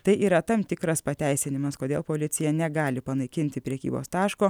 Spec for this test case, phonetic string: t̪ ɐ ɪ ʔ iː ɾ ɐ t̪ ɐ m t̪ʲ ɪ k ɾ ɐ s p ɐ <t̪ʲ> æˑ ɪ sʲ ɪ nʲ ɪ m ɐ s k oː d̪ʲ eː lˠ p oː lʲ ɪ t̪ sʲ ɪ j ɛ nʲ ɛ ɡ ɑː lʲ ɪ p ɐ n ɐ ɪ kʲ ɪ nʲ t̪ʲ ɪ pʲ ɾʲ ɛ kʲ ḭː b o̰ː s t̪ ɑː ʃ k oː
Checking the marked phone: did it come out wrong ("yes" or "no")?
no